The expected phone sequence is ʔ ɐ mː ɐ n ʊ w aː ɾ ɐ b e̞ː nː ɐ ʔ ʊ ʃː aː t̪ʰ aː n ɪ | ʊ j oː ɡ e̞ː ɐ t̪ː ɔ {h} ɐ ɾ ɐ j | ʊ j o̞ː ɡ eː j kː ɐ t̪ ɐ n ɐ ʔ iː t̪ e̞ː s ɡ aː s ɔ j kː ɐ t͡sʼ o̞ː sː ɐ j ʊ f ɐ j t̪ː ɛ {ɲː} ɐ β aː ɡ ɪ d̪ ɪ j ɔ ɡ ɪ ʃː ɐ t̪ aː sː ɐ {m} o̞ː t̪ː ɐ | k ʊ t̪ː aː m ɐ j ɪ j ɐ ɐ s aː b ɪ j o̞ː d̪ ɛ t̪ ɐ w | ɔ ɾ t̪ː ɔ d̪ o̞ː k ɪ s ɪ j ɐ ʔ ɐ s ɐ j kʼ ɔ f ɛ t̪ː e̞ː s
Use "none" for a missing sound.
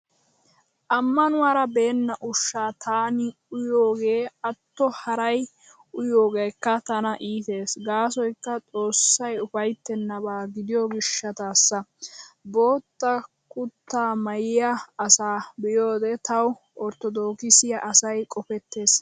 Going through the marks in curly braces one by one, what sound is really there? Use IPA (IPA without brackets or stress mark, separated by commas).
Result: h, nː, b